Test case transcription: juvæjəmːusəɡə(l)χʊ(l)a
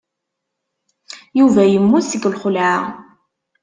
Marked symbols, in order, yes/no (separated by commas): yes, yes